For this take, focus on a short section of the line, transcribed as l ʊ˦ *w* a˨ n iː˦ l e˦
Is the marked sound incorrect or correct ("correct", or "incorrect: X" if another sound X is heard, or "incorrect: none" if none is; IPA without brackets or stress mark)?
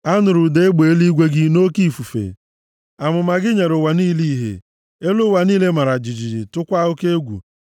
correct